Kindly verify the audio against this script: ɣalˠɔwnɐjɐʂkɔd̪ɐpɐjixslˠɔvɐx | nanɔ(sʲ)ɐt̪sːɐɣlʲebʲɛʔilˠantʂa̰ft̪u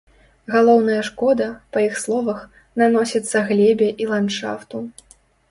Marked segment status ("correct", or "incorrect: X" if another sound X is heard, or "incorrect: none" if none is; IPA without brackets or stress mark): correct